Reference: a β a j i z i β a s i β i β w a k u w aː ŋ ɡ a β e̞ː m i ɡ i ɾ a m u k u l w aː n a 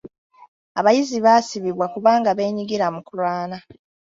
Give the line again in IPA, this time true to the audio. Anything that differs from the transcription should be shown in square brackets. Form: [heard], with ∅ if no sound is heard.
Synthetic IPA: a β a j i z i β a s i β i β w a k u [β] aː ŋ ɡ a β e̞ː [ɲ] i ɡ i ɾ a m u k u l w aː n a